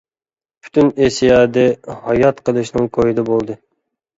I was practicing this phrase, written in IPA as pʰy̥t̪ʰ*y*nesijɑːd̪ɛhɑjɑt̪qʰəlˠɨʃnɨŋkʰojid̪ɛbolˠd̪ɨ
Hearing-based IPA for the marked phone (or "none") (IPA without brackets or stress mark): y